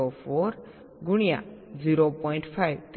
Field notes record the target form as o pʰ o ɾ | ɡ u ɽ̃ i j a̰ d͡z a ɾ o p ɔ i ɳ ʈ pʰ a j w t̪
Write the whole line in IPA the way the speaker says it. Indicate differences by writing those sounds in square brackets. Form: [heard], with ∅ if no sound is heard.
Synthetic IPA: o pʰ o ɾ | ɡ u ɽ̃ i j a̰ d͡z [i] ɾ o p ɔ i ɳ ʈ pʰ a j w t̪

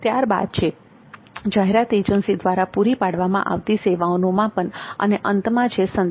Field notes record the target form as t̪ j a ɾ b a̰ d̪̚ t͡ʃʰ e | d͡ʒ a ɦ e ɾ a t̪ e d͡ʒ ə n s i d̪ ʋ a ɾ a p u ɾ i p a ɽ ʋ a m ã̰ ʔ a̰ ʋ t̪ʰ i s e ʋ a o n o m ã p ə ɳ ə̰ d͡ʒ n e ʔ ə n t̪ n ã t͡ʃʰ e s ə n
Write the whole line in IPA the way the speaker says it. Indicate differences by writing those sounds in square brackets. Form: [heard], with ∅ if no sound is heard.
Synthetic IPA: t̪ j a ɾ b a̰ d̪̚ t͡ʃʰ e | d͡ʒ a ɦ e ɾ a t̪ e d͡ʒ ə n s i d̪ ʋ a ɾ a p u ɾ i p a ɽ ʋ a m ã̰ ʔ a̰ ʋ [t̪] i s e ʋ a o n o m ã p ə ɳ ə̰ [∅] n e ʔ ə n t̪ [m] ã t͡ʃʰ e s ə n

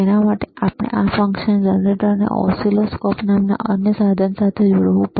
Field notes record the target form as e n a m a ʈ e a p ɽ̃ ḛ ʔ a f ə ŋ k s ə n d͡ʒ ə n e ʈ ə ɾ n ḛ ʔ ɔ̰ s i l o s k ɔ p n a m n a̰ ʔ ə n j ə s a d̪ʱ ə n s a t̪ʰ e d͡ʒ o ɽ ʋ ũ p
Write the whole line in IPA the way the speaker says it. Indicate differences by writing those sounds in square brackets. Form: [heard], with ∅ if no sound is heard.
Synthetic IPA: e n a m a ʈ e a p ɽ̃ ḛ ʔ a f ə ŋ k [ʃ] ə n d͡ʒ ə n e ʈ ə ɾ n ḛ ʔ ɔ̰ s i l o s k ɔ p n a m n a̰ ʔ ə n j ə s a d̪ʱ ə n s a t̪ʰ e d͡ʒ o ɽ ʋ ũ p

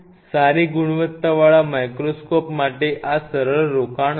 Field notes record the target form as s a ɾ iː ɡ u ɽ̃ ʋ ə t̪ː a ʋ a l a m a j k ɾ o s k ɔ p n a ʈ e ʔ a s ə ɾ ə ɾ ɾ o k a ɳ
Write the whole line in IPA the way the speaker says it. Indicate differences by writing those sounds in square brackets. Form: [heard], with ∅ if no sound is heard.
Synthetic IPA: s a ɾ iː ɡ u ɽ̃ ʋ ə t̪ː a ʋ a [ɭ] a m a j k ɾ o s k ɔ p [m] a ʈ e ʔ a s ə ɾ ə [ɭ] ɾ o k a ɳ

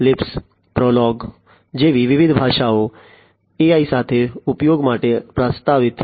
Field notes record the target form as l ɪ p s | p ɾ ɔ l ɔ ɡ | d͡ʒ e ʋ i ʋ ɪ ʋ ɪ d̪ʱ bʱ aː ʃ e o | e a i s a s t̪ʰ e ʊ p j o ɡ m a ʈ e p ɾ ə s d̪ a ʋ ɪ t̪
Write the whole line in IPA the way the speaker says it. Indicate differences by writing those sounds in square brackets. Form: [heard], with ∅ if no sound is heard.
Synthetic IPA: l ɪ p s | p ɾ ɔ l ɔ ɡ | d͡ʒ e ʋ i ʋ ɪ ʋ ɪ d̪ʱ bʱ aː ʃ [a] o | e a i s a [∅] t̪ʰ e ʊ p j o ɡ m a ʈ e p ɾ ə s [t̪] a ʋ ɪ t̪

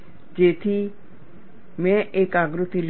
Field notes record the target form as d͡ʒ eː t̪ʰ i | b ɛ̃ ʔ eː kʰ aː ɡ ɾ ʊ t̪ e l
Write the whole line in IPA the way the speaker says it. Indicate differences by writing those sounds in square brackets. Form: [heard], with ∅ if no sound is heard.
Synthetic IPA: d͡ʒ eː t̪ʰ i | [m] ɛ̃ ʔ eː [k] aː ɡ ɾ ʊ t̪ [i] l

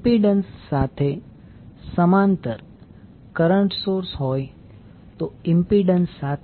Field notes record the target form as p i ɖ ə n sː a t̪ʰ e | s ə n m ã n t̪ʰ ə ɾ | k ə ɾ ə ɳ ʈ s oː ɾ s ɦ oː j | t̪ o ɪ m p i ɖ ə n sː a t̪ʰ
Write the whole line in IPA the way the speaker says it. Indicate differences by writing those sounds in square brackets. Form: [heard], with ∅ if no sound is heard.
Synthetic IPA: p i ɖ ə n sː a t̪ʰ e | s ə [∅] m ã n [t̪] ə ɾ | k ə ɾ ə ɳ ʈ s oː ɾ s ɦ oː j | t̪ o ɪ m p i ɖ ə n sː a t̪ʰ

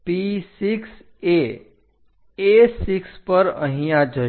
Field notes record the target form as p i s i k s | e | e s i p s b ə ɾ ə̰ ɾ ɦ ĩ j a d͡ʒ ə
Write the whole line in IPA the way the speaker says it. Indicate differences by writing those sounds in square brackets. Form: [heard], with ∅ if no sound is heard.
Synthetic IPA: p i s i k s | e | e s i [k] s [p] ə ɾ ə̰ [∅] ɦ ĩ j a d͡ʒ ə

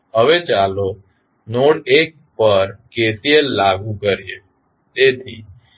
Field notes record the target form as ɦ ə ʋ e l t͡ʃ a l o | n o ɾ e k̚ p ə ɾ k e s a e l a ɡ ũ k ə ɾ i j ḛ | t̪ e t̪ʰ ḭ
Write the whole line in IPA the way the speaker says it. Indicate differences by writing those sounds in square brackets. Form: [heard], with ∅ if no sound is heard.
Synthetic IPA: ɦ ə ʋ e [∅] t͡ʃ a l o | n o [ɽ] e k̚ p ə ɾ k e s [i] e l a ɡ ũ k ə ɾ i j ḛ | t̪ e t̪ʰ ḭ

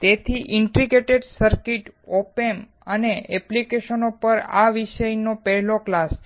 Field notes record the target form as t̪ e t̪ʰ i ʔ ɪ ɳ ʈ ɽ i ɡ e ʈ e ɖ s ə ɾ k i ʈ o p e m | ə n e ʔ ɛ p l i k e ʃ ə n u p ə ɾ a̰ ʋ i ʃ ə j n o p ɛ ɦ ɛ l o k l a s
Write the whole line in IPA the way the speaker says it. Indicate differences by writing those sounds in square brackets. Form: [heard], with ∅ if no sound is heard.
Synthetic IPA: t̪ e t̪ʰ i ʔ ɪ ɳ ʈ [ɾ] i ɡ e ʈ e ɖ s ə ɾ k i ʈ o p e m | ə n e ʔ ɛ p l i k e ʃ ə n [o] p ə ɾ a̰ ʋ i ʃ ə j n o p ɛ ɦ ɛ l o k l a s

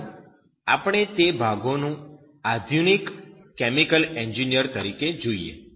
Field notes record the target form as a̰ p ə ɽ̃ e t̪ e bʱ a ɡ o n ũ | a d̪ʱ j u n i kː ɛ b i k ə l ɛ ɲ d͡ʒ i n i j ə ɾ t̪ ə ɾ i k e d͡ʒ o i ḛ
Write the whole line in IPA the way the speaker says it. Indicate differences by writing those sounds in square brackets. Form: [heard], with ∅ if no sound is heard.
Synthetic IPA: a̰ p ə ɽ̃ e t̪ e bʱ a ɡ o n ũ | a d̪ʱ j u n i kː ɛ [m] i k ə l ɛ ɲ d͡ʒ i n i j ə ɾ t̪ ə ɾ i k e d͡ʒ o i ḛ

